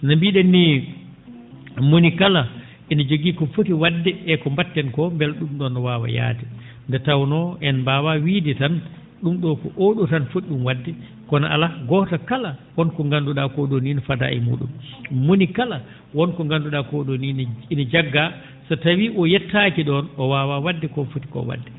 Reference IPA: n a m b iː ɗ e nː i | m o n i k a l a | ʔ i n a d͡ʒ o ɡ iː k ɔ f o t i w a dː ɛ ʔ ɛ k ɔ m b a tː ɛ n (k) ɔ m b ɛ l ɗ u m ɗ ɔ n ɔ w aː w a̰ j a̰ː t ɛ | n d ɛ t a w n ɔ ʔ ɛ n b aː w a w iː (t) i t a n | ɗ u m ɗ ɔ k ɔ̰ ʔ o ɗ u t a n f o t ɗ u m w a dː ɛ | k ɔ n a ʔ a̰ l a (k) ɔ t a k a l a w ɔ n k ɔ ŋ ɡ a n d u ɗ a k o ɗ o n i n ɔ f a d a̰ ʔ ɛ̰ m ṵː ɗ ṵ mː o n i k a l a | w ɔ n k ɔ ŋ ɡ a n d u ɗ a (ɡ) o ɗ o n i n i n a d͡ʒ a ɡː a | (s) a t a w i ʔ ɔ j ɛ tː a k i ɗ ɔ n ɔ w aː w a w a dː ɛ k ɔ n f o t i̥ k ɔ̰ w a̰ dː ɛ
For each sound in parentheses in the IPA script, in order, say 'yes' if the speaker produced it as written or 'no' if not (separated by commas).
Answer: yes, no, no, no, yes